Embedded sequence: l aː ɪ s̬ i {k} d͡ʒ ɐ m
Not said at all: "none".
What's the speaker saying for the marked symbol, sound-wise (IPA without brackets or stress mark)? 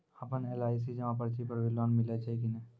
none